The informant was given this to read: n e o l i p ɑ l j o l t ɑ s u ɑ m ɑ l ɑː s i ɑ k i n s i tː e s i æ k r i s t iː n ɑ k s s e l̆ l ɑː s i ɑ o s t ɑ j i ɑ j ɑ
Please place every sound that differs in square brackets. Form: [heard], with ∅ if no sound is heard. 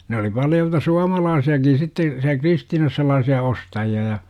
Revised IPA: n e o l i p ɑ l j o l t ɑ s u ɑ m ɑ l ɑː s i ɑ k i n s i tː e s i æ k r i s t iː n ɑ [∅] s s e l̆ l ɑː s i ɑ o s t ɑ j i ɑ j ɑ